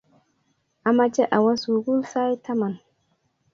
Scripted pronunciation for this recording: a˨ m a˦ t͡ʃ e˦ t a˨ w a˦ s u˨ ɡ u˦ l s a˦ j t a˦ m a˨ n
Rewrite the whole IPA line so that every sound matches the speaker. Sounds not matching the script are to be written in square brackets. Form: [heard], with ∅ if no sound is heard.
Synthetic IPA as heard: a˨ m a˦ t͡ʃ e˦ [ʔ] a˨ w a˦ s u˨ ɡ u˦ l s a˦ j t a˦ m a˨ n